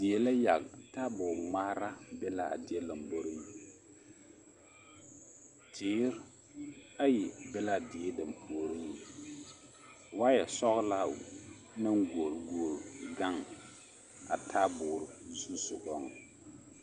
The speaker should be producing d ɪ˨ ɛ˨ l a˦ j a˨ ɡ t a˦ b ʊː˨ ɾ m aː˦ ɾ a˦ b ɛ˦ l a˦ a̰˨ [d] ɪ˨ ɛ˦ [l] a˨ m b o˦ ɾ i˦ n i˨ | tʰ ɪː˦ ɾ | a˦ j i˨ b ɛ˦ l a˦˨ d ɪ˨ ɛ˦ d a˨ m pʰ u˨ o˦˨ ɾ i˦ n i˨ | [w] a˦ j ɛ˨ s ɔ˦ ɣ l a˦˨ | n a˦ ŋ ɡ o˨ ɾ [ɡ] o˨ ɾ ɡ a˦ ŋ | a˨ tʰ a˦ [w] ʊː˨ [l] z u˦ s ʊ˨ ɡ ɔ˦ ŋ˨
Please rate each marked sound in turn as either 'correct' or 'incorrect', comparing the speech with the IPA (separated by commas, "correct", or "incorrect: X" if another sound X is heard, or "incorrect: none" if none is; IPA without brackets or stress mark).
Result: correct, correct, correct, correct, incorrect: b, incorrect: ɾ